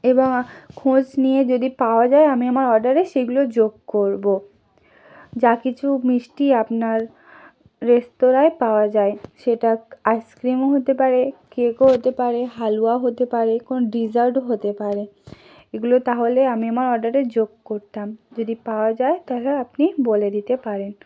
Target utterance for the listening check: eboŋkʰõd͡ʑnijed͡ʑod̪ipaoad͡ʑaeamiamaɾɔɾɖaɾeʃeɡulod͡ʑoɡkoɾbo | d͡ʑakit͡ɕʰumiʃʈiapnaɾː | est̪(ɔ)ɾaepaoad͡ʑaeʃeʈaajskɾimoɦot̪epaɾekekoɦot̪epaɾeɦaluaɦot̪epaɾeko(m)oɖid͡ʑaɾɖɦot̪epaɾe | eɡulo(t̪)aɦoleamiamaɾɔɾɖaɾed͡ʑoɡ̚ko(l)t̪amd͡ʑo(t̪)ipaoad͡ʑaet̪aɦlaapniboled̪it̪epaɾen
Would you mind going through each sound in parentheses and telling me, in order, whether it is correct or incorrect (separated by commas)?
incorrect, incorrect, correct, incorrect, incorrect